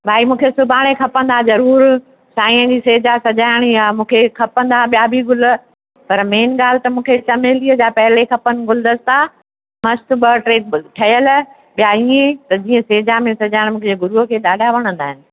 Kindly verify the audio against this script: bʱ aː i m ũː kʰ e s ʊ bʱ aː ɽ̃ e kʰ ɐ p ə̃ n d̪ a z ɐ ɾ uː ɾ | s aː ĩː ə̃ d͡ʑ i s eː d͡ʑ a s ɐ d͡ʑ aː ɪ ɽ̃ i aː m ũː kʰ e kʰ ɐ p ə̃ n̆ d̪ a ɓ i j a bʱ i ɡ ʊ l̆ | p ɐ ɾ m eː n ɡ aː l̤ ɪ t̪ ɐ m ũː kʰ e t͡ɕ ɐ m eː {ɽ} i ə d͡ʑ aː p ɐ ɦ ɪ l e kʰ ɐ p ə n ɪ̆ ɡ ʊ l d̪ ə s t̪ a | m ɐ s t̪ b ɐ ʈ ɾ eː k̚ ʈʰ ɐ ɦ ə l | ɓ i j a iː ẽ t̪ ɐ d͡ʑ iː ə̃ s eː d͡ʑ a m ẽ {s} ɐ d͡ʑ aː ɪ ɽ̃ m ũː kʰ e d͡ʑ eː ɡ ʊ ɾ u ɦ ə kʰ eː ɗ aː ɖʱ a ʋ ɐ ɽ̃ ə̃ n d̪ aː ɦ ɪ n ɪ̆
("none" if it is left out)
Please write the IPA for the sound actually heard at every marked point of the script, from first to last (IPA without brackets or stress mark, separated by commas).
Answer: l, s